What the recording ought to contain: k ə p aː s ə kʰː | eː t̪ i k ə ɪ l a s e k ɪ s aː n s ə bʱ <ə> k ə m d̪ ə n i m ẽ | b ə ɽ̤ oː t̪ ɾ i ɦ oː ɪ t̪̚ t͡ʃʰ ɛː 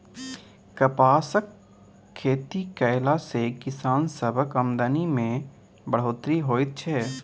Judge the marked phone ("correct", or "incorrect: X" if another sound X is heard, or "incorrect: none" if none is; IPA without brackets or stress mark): correct